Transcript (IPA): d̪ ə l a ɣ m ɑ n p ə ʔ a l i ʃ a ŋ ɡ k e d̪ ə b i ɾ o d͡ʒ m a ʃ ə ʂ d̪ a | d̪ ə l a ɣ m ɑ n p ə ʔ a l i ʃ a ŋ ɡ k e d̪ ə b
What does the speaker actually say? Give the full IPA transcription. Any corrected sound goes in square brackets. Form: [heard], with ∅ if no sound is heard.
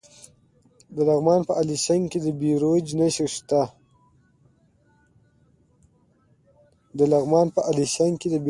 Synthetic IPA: d̪ ə l a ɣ m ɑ n p ə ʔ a l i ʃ a ŋ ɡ k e d̪ ə b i ɾ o d͡ʒ [n] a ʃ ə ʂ [t̪] a | d̪ ə l a ɣ m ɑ n p ə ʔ a l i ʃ a ŋ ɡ k e d̪ ə b